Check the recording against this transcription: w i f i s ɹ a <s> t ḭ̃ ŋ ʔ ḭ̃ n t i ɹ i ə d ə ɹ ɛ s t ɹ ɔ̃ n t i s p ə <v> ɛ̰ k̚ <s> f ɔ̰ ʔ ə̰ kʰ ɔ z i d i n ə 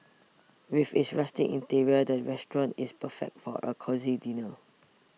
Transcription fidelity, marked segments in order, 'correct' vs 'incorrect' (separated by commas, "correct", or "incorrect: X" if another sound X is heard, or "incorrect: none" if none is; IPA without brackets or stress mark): correct, incorrect: f, incorrect: t